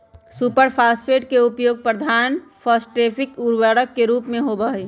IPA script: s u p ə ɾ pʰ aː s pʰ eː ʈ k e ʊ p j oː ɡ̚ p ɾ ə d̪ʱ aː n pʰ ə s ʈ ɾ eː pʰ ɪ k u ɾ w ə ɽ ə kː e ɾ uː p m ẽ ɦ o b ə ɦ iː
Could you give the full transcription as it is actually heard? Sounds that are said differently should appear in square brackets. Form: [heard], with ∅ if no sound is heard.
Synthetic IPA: s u p ə ɾ pʰ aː s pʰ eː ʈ k e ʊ p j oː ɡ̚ p ɾ ə d̪ʱ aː n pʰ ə s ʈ ɾ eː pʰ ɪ k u ɾ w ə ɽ ə kː e ɾ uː p m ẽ ɦ o b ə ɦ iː